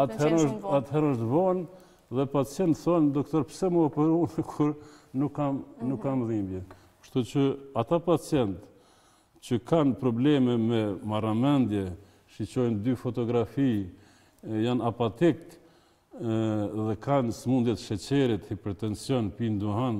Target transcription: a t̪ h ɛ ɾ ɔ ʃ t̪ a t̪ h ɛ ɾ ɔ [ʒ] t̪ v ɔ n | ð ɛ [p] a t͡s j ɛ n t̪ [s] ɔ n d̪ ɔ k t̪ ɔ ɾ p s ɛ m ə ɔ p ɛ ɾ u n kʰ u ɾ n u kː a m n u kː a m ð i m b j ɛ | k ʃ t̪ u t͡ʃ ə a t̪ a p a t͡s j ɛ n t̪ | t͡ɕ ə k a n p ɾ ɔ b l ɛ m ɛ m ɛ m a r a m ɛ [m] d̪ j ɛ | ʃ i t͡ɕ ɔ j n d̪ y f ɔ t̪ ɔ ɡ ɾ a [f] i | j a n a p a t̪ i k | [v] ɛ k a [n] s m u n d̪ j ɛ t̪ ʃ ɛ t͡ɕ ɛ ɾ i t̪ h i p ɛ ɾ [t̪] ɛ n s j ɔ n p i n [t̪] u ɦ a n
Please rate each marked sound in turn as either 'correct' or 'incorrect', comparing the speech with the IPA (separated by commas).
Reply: incorrect, correct, incorrect, incorrect, correct, incorrect, correct, correct, incorrect